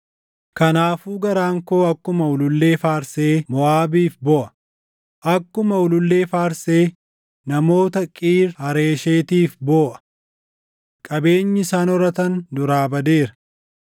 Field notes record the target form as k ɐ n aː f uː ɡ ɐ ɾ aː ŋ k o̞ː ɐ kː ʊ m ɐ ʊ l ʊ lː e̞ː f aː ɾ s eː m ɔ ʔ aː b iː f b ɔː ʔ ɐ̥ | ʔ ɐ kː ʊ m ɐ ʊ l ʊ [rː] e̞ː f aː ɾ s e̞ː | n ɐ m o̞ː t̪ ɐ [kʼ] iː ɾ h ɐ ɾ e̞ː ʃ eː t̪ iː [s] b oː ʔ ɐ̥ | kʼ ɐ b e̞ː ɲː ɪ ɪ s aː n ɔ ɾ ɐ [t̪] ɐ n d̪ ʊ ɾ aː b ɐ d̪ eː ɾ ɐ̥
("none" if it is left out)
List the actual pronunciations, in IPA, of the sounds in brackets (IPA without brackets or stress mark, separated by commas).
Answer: lː, kʼ, f, t̪